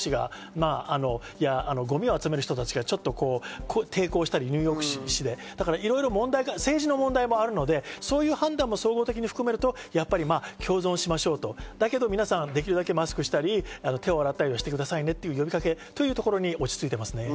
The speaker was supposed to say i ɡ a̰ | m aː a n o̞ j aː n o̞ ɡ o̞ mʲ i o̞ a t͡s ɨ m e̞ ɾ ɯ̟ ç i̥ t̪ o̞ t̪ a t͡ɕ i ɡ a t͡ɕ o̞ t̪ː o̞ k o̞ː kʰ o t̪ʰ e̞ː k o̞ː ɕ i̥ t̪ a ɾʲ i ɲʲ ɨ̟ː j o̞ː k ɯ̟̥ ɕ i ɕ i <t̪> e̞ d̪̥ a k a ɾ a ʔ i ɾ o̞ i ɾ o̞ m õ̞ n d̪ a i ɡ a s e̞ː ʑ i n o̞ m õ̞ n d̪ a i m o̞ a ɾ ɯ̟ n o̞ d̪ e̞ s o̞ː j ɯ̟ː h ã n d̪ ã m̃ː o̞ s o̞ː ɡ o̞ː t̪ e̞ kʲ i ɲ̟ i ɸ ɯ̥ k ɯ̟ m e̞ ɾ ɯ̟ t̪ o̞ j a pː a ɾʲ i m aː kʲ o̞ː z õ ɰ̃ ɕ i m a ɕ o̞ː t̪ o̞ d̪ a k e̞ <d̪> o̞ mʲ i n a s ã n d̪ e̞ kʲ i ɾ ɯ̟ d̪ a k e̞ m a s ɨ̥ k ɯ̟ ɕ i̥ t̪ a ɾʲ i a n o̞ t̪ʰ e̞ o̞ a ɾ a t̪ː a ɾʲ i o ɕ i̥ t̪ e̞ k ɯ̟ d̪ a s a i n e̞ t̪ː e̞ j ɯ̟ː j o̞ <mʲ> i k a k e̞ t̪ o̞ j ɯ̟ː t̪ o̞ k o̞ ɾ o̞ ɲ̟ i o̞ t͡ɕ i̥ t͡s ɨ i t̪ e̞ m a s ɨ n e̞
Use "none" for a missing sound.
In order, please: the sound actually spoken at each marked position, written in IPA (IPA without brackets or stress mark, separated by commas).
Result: d̪, d̪, bʲ